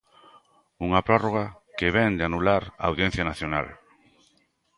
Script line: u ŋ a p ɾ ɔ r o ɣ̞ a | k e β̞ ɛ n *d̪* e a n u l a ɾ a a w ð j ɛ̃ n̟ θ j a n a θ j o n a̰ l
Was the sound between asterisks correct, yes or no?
yes